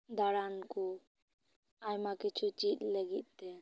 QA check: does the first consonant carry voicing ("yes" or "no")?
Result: yes